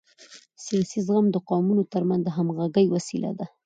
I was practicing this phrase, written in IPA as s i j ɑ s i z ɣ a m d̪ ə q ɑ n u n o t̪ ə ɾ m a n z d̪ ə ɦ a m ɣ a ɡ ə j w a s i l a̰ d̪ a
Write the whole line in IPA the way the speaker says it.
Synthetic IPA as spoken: s i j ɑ s i z ɣ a m d̪ ə q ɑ m u n o t̪ ə ɾ m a n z d̪ ə ɦ a m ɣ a ɡ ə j w a s i l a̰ d̪ a